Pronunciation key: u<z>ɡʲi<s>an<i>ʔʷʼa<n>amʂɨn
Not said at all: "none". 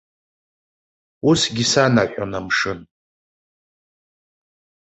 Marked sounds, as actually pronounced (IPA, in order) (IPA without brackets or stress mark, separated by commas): s, s, a, n